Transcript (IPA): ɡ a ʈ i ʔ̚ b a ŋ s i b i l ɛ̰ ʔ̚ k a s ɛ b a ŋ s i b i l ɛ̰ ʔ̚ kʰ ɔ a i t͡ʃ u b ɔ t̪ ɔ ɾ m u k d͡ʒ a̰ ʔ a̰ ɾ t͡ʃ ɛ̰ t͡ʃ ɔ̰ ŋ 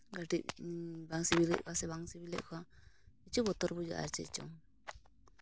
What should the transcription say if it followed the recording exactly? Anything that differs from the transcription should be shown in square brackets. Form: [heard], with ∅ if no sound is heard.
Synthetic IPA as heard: ɡ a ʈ i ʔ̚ b a ŋ s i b i l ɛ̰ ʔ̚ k a s ɛ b a ŋ s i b i l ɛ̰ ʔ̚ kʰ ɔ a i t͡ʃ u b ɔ t̪ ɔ ɾ [b] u [∅] d͡ʒ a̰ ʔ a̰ ɾ t͡ʃ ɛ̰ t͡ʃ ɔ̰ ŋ